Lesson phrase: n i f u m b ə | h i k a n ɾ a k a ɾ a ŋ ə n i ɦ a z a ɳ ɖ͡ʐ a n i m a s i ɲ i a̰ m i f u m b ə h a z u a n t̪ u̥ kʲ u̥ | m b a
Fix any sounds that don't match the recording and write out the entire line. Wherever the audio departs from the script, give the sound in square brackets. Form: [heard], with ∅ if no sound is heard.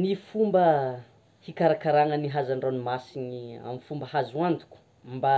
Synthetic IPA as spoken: n i f u m b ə | h i k a [∅] ɾ a k a ɾ a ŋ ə n i ɦ a z a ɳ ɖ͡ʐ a n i m a s i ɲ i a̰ m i f u m b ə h a z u a n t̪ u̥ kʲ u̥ | m b a